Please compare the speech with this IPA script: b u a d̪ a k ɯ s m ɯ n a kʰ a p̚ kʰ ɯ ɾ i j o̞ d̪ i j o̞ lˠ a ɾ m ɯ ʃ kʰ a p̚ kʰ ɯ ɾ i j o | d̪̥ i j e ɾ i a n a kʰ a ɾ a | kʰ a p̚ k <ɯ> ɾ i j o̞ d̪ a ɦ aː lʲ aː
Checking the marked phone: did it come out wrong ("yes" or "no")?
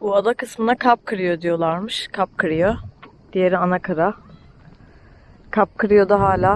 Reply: no